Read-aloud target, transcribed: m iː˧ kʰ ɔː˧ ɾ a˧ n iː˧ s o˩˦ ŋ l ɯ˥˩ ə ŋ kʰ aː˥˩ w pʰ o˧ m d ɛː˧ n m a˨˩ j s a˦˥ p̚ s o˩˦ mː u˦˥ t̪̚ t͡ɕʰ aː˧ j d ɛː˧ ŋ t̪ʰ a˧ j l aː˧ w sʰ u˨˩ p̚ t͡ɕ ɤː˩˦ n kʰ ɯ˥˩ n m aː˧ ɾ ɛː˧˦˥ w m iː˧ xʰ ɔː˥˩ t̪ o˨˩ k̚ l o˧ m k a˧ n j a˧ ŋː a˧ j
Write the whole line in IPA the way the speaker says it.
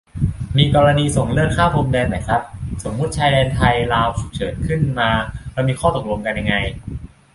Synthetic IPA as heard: m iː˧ k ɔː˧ ɾ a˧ n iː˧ s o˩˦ ŋ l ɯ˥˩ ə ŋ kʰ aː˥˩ w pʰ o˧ m d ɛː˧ n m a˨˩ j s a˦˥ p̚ s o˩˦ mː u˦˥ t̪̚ t͡ɕʰ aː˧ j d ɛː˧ n t̪ʰ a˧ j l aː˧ w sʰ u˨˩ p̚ t͡ɕʰ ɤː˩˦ n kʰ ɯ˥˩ n m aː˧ ɾ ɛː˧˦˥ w m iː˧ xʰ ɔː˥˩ t̪ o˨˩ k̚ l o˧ m k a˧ n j a˧ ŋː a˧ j